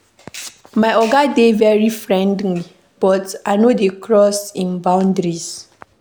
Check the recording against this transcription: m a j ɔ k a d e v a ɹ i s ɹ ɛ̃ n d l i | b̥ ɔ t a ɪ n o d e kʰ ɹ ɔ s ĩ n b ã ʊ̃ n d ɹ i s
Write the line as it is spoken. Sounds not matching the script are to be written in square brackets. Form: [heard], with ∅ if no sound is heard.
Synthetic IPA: m a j ɔ [ɡ] a d e v [ɛ] ɹ i [f] ɹ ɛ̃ n d l i | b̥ ɔ t a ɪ n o d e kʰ ɹ ɔ s ĩ n b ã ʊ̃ n d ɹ i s

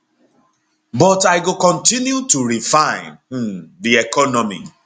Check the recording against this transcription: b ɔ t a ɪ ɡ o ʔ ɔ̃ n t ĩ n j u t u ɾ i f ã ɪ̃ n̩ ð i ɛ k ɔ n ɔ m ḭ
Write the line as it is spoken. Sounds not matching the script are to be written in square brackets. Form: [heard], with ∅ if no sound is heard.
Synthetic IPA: b ɔ t a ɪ ɡ o [k] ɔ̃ n t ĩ n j u t u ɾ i f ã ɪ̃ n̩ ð i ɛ k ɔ n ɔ m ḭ

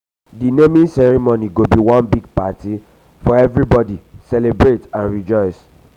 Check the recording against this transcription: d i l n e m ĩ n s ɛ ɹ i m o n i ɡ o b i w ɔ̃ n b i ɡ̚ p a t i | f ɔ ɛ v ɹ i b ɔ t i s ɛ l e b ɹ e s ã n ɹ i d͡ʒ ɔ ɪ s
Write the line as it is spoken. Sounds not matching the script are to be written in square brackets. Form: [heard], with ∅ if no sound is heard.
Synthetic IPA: d i [∅] n e m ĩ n s ɛ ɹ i m o n i ɡ o b i w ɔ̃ n b i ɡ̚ p a t i | f ɔ ɛ v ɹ i b ɔ [d] i s ɛ l e b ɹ e [t] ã n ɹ i d͡ʒ ɔ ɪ s

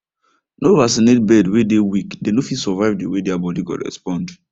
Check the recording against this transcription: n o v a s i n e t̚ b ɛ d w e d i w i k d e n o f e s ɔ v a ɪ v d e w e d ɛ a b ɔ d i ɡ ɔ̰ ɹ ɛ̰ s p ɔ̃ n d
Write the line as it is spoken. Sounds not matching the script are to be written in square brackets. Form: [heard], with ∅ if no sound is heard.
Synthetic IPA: n o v a s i n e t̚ b ɛ d w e d [e] w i k d e n o f [i] s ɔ v a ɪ v d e w e d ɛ a b ɔ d i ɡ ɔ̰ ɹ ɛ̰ s p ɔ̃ n d

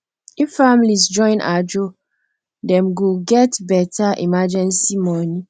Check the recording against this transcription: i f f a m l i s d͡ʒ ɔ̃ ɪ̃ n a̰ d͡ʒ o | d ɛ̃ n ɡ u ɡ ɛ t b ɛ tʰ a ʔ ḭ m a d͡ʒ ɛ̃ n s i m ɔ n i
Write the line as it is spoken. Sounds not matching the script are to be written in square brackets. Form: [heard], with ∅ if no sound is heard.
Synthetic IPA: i f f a m l i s d͡ʒ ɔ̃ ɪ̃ n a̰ d͡ʒ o | d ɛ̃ [m] ɡ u ɡ ɛ t b ɛ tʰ a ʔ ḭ m a d͡ʒ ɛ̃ n s i m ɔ n i

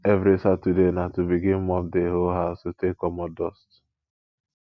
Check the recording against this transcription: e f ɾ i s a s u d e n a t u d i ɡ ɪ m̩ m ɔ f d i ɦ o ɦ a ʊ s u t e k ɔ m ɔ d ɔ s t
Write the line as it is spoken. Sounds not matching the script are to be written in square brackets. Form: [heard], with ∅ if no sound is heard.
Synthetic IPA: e [v] ɾ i s a [t] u d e n a t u [b] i ɡ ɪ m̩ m ɔ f d [e] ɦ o ɦ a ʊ s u t e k ɔ m ɔ d ɔ s t

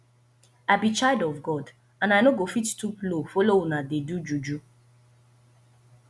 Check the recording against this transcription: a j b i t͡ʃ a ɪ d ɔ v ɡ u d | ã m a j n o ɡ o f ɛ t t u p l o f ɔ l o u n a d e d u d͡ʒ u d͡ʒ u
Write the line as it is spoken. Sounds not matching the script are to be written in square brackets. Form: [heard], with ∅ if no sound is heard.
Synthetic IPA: a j b i t͡ʃ a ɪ d ɔ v ɡ [ɔ] d | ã [n] a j n o ɡ o f [i] t t u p l o f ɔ l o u n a d e d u d͡ʒ u d͡ʒ u

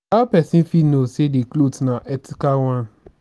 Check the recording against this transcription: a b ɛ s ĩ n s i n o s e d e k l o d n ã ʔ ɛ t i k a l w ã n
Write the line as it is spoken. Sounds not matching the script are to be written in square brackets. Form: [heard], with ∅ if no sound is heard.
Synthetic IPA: a [p] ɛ s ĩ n [f] i n o s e d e k l o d n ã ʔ ɛ t i k a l w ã n

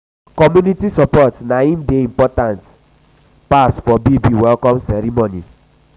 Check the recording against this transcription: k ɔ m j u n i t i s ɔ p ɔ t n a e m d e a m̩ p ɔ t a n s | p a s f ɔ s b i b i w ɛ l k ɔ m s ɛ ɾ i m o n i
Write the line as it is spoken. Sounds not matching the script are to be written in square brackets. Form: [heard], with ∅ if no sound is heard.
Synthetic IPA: k ɔ m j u n i t i s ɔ p ɔ t n a [i] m d e [i] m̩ p ɔ t a n [t] | p a s f ɔ [∅] b i b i w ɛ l k ɔ m s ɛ ɾ i m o n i

